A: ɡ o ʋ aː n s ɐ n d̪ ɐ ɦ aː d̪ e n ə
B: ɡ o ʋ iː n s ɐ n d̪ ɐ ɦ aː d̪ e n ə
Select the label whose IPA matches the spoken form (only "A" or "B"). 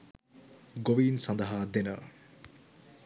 B